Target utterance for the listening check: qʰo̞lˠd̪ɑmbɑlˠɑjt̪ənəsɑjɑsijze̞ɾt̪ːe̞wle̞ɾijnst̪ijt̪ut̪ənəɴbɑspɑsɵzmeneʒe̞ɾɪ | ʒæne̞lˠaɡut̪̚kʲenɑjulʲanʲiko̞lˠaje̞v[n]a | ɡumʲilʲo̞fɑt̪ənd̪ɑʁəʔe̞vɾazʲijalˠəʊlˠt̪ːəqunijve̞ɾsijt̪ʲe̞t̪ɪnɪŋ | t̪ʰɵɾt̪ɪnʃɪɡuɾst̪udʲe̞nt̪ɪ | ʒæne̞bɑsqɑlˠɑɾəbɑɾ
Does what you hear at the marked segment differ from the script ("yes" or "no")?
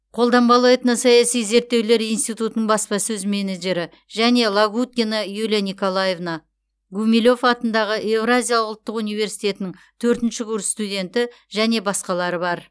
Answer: no